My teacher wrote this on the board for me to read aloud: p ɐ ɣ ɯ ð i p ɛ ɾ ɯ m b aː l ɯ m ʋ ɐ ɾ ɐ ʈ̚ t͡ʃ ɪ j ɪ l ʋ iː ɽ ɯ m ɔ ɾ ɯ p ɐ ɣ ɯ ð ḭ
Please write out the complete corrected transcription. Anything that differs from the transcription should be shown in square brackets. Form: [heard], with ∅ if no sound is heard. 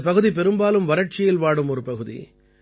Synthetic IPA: p ɐ ɣ ɯ ð i p ɛ ɾ ɯ m b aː l ɯ m ʋ ɐ ɾ ɐ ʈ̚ t͡ʃ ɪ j ɪ l ʋ [aː] ɽ ɯ m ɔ ɾ ɯ p ɐ ɣ ɯ ð ḭ